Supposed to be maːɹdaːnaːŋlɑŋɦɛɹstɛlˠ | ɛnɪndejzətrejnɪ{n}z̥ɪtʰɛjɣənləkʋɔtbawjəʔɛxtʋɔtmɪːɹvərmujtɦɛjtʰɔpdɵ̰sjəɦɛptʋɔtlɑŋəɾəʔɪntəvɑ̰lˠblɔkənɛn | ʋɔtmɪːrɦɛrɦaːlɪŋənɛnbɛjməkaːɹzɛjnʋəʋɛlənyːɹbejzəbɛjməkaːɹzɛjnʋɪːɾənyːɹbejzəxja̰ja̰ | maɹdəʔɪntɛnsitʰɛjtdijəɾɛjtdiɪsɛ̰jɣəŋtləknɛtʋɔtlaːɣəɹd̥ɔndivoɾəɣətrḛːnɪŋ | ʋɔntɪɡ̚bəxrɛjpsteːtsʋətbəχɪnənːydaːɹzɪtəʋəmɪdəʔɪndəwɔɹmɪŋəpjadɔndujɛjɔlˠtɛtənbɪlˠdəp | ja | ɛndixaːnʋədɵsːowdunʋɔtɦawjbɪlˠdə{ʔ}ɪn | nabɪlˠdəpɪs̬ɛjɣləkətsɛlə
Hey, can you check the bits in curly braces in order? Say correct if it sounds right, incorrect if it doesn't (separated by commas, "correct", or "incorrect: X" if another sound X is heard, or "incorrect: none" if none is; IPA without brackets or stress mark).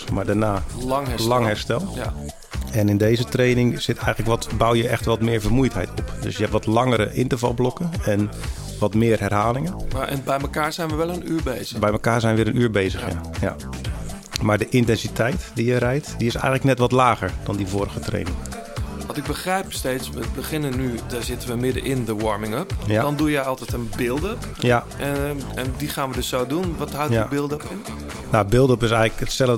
incorrect: ŋ, incorrect: p